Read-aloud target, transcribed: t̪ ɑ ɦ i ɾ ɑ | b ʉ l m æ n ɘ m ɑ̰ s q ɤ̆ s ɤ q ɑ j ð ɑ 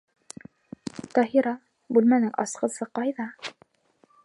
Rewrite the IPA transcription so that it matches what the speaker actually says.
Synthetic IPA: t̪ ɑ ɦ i ɾ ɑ | b ʉ l m æ n ɘ ŋ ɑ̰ s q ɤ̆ s ɤ q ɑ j ð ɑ

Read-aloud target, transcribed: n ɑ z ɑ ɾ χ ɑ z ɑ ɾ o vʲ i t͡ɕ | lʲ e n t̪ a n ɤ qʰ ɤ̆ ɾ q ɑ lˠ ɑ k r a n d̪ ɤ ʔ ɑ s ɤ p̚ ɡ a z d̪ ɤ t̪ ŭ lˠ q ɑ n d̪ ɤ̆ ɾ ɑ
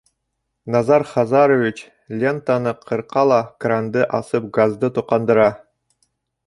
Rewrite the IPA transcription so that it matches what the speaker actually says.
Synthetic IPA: n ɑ z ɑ ɾ χ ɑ z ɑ ɾ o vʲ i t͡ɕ | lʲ e n t̪ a n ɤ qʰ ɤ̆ ɾ q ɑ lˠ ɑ k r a n d̪ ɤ ʔ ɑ s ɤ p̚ ɡ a z d̪ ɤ t̪ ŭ q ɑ n d̪ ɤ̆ ɾ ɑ

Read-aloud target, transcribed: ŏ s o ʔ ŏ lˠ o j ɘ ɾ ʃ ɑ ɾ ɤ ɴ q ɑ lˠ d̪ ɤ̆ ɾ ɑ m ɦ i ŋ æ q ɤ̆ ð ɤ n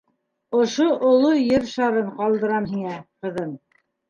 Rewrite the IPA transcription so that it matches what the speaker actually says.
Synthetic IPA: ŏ ʃ o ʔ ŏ lˠ o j ɘ ɾ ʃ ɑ ɾ ɤ ɴ q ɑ lˠ d̪ ɤ̆ ɾ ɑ m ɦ i ŋ æ q ɤ̆ ð ɤ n

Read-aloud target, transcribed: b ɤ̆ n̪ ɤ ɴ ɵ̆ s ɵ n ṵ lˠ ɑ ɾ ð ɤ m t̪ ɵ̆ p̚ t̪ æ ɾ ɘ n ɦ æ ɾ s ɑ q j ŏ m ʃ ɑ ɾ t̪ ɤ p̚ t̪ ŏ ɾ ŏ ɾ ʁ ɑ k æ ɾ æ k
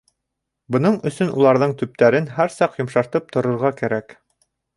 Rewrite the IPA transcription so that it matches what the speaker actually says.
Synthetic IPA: b ɤ̆ n̪ ɤ ɴ ɵ̆ s ɵ n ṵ lˠ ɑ ɾ ð ɤ ɴ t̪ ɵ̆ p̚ t̪ æ ɾ ɘ n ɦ æ ɾ s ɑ q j ŏ m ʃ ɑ ɾ t̪ ɤ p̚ t̪ ŏ ɾ ŏ ɾ ʁ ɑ k æ ɾ æ k

